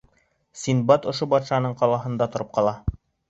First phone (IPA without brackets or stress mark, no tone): s